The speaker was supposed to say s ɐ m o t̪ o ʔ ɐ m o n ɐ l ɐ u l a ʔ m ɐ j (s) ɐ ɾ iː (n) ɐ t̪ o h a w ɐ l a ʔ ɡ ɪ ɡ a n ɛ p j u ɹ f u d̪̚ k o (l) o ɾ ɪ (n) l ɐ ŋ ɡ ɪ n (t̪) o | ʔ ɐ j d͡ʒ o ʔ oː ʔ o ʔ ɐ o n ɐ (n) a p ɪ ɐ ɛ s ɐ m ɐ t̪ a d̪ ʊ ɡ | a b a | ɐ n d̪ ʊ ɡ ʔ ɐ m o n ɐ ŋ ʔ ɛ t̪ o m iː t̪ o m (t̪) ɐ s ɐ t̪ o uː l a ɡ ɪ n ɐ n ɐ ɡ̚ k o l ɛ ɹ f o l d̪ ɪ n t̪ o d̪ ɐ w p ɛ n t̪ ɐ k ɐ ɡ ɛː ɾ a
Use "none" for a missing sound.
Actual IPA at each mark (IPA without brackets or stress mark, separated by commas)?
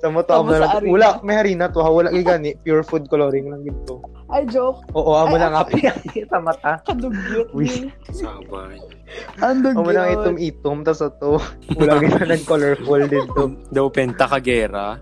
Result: h, n, l, ŋ, t̪, ŋ, t̪